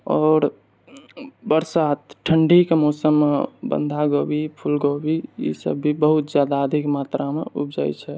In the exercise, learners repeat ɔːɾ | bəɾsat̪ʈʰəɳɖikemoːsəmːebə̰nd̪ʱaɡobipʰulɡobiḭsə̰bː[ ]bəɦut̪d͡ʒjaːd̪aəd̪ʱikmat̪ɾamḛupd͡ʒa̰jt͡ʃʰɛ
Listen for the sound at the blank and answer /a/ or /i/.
i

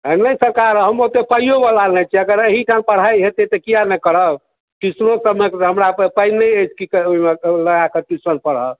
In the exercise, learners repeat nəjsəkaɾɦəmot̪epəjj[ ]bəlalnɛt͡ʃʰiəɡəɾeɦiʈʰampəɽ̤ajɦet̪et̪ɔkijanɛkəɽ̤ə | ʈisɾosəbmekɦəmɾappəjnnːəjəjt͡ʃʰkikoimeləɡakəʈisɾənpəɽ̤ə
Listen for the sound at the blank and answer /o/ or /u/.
o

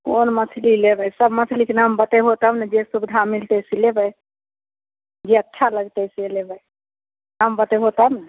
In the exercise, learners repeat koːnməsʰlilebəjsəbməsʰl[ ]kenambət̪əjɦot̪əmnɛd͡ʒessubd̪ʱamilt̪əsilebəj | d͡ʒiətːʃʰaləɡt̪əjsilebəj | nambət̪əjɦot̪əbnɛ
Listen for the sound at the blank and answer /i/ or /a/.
i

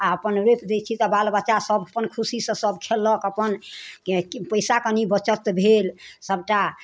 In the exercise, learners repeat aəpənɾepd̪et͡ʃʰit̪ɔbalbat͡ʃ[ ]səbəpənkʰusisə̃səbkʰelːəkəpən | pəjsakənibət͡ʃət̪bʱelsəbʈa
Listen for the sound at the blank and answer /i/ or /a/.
a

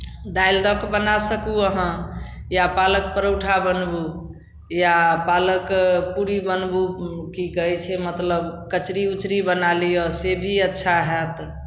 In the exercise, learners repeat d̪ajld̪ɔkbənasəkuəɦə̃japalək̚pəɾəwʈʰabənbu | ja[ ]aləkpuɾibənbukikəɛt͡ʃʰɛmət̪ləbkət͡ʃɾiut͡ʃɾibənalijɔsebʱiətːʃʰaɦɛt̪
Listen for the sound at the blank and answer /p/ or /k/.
p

